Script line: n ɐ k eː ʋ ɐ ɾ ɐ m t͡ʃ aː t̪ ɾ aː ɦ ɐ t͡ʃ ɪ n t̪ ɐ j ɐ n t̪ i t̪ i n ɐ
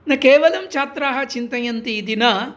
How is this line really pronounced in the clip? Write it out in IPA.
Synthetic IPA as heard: n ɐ k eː ʋ ɐ l ɐ m t͡ʃ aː t̪ ɾ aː ɦ ɐ t͡ʃ i n t̪ ɐ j ɐ n t̪ i d̪ i n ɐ